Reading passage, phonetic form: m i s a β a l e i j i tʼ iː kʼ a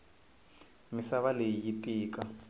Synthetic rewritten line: m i s a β a l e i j i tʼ iː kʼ a